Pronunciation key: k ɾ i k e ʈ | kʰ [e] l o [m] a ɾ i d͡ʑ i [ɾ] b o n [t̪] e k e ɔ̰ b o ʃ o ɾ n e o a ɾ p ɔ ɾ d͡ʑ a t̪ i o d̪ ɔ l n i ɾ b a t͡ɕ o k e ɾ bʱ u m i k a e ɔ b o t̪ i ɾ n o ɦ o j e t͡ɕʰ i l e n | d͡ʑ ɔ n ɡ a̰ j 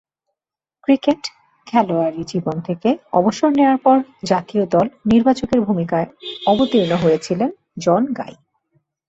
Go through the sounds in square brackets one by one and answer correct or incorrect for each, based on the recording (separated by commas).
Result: incorrect, incorrect, incorrect, incorrect